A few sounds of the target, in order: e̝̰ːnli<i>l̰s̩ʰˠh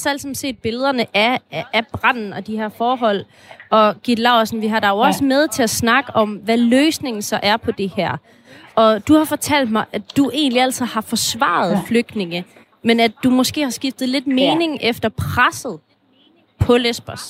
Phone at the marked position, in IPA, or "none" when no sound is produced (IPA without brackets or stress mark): æ